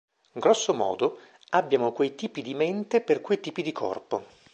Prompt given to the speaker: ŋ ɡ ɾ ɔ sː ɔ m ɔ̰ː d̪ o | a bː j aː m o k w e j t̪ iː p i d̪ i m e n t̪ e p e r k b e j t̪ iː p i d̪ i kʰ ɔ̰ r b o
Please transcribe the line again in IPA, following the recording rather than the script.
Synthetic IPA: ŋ ɡ ɾ ɔ sː o m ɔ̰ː d̪ o | a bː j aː m o k w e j t̪ iː p i d̪ i m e n t̪ e p e r k w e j t̪ iː p i d̪ i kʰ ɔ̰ r p o